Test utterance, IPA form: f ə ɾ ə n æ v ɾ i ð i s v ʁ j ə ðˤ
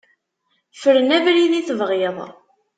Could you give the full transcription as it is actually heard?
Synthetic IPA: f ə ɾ ə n æ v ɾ i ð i θ v ʁ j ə ðˤ